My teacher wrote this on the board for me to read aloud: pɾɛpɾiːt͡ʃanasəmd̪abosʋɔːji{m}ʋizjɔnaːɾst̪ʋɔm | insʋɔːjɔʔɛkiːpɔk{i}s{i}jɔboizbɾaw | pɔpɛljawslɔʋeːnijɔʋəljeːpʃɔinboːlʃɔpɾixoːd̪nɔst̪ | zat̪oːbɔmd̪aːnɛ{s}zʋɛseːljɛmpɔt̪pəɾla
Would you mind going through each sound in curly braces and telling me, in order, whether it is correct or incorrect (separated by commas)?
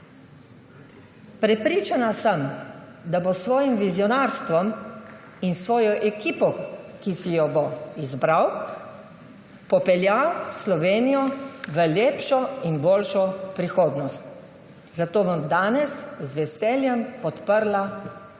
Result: correct, correct, correct, correct